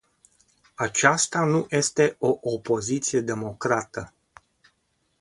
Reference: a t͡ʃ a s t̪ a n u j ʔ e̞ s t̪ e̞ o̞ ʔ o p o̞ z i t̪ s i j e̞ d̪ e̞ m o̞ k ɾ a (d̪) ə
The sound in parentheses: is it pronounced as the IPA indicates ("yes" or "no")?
no